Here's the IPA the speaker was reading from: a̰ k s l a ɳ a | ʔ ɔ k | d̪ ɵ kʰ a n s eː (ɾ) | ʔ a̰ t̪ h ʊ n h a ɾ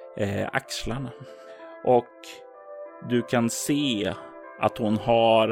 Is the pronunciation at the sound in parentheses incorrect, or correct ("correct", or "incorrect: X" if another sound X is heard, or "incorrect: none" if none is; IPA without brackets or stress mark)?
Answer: incorrect: none